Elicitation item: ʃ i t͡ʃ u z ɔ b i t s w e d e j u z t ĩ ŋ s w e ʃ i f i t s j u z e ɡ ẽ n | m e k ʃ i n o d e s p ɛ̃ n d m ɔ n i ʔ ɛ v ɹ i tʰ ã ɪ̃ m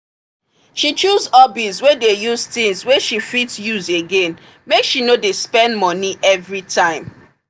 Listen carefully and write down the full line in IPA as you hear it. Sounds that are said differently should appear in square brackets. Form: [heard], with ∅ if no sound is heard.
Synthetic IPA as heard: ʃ i t͡ʃ u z ɔ b i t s w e d e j u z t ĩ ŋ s w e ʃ i f i t s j u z e ɡ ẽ n | m e k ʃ i n o d e s p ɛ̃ n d m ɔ n i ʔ ɛ v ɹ i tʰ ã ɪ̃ m